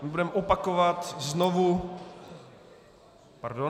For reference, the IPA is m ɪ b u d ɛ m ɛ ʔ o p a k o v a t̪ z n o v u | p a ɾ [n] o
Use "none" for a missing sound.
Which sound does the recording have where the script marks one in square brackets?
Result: d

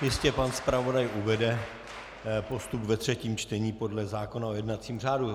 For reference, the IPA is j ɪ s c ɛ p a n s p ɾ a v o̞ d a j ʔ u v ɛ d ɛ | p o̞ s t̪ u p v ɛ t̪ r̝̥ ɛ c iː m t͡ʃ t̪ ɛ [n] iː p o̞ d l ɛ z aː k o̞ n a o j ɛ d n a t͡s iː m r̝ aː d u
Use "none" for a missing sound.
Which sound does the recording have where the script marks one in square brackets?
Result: ɲ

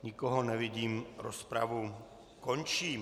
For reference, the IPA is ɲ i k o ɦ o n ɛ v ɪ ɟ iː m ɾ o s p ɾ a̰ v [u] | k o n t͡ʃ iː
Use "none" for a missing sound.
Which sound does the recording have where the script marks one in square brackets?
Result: u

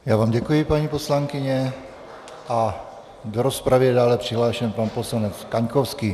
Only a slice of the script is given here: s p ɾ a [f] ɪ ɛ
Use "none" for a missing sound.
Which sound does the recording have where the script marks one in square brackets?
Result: v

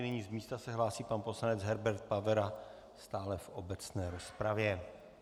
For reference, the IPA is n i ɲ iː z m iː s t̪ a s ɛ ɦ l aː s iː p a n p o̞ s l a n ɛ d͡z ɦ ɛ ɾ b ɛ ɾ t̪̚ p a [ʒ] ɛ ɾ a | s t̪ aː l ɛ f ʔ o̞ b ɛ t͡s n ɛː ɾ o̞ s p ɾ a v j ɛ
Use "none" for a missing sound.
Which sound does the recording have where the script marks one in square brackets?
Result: v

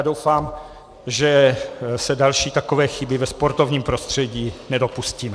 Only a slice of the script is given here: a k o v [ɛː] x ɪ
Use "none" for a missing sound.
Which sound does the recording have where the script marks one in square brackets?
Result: ɛː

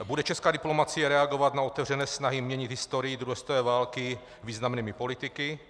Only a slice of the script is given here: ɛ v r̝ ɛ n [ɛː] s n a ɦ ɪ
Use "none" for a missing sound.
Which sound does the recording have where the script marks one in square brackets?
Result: ɛː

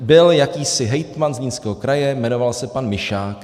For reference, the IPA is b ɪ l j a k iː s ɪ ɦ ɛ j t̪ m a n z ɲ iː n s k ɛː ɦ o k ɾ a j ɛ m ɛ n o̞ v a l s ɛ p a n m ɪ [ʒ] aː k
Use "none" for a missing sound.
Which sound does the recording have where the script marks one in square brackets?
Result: ʃ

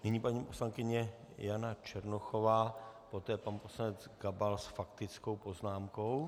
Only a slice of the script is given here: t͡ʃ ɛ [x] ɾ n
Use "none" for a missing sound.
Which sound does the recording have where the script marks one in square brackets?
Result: none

